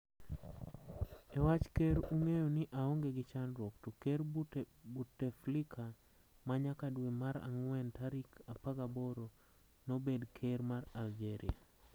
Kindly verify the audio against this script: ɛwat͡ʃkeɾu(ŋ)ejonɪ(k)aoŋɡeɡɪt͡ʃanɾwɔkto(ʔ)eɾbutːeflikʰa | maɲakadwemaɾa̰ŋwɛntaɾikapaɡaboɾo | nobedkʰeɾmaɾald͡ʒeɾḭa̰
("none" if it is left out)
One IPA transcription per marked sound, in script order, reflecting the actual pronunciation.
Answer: ŋ, ʔ, k

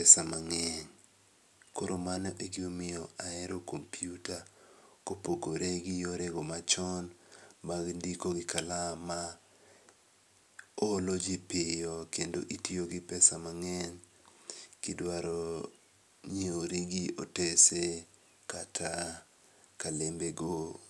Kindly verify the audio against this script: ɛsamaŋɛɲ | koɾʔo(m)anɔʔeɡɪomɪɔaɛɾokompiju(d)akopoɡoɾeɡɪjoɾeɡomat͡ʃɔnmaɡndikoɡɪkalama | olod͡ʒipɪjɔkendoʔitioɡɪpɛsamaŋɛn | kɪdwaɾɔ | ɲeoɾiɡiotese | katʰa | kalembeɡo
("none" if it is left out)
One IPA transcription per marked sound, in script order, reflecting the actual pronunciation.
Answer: m, t

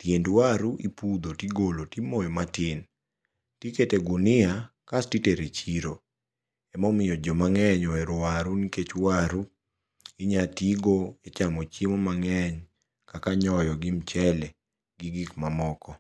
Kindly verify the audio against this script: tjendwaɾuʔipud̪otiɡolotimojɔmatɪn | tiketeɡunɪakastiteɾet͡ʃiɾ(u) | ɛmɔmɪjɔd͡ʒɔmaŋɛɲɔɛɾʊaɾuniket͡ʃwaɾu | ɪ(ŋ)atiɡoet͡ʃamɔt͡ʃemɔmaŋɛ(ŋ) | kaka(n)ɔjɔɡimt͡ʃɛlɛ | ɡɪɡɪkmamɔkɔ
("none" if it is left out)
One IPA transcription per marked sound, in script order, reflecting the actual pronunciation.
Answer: o, ɲ, ɲ, ɲ

